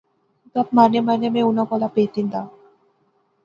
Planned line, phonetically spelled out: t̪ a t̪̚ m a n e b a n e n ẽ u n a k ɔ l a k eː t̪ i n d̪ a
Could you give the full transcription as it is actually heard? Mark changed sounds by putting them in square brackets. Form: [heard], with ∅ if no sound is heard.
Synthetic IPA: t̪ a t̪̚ m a n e [m] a n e [m] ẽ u n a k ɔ l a [p] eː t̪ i n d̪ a